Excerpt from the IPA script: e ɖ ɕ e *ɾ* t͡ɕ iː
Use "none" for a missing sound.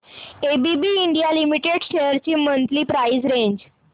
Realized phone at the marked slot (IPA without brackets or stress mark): ɾ